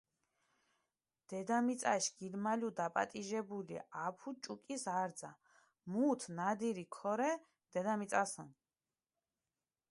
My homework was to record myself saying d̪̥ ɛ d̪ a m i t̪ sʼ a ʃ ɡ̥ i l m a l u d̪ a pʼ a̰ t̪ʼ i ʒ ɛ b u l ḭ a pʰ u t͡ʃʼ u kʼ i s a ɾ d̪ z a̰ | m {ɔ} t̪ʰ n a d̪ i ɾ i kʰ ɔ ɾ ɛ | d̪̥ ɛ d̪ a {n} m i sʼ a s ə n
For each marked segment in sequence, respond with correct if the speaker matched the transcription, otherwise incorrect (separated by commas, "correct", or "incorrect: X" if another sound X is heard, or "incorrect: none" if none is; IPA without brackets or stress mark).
incorrect: u, incorrect: none